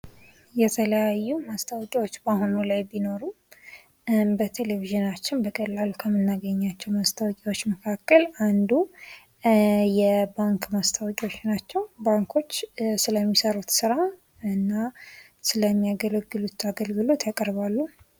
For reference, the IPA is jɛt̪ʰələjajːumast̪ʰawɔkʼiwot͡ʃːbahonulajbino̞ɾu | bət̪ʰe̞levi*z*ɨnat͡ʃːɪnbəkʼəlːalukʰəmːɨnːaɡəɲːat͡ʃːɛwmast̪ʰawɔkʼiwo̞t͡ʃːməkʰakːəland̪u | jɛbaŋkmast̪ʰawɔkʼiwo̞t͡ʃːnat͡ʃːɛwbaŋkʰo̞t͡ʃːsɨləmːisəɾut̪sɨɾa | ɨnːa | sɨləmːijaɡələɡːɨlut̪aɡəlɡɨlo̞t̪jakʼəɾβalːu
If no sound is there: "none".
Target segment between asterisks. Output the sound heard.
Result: ʒ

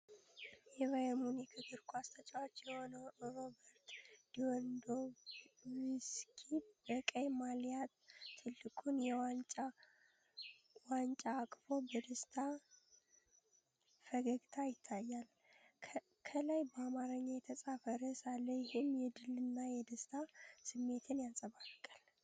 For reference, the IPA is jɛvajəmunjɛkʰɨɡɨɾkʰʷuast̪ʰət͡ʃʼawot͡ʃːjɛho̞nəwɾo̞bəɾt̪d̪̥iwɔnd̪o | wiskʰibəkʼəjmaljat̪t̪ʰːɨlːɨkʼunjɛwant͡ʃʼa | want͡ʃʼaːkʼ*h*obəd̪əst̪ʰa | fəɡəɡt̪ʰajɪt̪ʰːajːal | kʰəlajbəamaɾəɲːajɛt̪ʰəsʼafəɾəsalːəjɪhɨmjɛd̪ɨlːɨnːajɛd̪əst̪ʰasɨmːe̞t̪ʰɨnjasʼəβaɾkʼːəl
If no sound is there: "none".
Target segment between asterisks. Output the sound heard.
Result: f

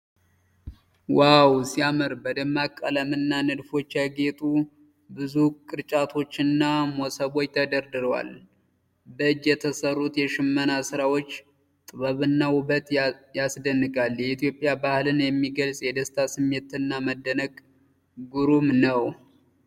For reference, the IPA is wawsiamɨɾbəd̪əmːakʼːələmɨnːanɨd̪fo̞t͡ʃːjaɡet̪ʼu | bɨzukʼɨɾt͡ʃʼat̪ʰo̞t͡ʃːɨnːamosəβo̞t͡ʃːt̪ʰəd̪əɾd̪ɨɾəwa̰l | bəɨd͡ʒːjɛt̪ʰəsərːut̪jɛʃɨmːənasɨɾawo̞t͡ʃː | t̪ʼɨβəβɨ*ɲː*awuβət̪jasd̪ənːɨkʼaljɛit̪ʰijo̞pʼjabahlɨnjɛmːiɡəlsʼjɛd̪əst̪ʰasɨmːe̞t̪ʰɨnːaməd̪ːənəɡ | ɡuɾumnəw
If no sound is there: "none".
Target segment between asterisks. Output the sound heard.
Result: nː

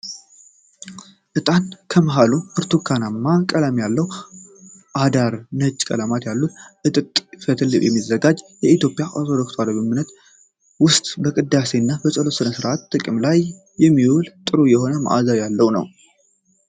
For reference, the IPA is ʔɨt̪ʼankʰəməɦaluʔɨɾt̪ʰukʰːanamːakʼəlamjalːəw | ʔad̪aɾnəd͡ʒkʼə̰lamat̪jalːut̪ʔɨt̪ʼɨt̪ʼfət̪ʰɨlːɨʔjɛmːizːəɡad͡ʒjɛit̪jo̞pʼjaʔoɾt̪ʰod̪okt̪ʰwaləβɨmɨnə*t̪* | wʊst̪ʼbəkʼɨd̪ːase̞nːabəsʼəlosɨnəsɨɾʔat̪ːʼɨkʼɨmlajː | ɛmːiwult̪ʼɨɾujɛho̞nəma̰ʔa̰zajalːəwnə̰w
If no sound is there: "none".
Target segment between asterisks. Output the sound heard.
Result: t̪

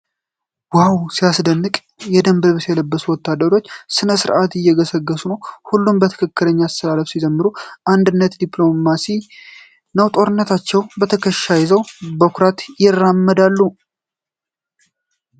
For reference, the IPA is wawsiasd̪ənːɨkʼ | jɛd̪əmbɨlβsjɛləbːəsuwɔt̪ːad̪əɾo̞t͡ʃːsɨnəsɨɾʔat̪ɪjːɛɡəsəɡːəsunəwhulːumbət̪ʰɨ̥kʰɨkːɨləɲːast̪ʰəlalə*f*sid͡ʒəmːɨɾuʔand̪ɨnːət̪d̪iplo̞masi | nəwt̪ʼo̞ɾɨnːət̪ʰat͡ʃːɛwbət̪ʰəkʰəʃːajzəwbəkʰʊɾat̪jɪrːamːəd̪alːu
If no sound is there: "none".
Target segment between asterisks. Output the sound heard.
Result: f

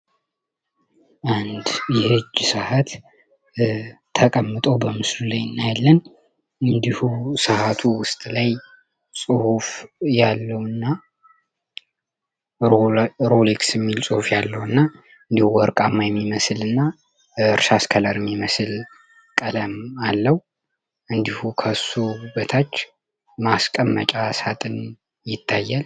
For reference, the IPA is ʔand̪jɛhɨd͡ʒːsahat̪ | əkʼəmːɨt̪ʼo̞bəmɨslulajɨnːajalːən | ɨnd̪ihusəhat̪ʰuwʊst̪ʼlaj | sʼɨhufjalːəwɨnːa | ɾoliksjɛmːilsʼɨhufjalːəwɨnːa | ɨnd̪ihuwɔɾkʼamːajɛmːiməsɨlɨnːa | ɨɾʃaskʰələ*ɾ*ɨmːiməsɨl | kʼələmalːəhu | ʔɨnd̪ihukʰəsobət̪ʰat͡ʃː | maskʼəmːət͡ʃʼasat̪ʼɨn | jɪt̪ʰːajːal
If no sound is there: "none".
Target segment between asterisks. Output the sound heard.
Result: ɾ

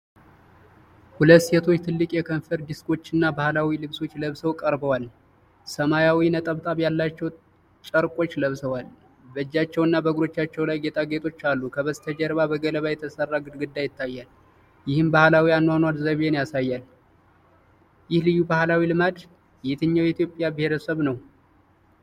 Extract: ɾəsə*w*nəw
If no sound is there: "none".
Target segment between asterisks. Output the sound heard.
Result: β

